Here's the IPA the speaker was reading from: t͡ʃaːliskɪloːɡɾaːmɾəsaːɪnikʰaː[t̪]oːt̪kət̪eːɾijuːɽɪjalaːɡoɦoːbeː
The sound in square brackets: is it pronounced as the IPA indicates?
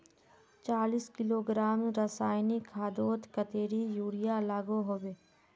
no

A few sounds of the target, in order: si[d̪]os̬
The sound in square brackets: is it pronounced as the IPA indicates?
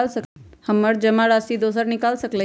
yes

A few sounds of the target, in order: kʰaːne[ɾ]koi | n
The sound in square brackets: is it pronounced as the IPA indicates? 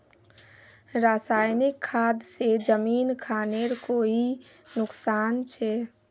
yes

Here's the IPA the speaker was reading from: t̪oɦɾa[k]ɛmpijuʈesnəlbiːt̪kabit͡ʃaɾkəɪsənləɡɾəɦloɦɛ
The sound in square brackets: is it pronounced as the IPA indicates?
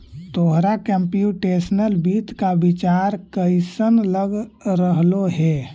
yes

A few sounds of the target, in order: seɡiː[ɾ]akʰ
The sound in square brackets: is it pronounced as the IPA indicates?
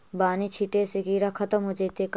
yes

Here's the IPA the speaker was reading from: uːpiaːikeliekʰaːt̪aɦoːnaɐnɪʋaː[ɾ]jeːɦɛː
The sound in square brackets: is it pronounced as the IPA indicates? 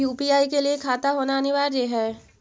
yes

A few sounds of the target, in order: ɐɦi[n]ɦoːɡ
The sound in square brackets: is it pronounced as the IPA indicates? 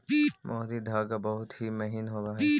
yes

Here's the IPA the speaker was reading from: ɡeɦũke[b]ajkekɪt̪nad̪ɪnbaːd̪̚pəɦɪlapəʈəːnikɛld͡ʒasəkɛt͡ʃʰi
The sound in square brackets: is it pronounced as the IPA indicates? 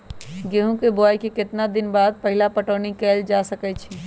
yes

